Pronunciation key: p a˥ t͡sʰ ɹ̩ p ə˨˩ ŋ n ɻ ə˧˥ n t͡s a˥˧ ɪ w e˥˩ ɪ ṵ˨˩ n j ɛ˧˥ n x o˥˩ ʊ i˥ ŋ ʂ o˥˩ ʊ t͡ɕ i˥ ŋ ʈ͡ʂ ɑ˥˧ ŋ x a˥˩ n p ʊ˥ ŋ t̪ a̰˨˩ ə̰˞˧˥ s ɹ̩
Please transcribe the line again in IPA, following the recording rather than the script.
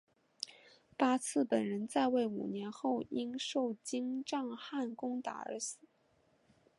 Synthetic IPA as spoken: p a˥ t͡sʰ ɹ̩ p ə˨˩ n ɻ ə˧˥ n t͡s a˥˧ ɪ w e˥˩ ɪ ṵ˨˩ n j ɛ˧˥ n x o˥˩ ʊ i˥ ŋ ʂ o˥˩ ʊ t͡ɕ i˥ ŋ ʈ͡ʂ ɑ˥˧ ŋ x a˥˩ n k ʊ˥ ŋ t̪ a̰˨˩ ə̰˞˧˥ s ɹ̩

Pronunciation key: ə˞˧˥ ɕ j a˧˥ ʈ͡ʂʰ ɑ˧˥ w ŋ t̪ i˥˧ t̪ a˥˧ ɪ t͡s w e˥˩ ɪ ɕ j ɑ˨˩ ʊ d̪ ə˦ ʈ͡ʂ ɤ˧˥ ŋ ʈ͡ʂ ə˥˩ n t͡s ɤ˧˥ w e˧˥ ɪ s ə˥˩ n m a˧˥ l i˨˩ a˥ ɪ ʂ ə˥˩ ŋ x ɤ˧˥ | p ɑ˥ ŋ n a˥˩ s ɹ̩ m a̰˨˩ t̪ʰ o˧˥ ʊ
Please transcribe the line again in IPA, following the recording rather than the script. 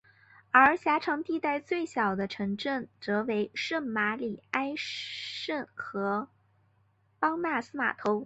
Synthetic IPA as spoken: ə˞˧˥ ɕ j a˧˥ ʈ͡ʂʰ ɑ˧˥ ŋ t̪ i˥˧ t̪ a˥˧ ɪ t͡s w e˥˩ ɪ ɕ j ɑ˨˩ ʊ d̪ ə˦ ʈ͡ʂʰ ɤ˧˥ ŋ ʈ͡ʂ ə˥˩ n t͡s ɤ˧˥ w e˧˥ ɪ ʂ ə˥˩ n m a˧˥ l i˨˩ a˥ ɪ ʂ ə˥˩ n x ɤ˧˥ | p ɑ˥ ŋ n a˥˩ s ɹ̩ m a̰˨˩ t̪ʰ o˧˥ ʊ

